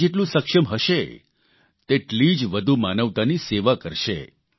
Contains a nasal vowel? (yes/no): yes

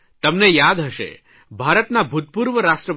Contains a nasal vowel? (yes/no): no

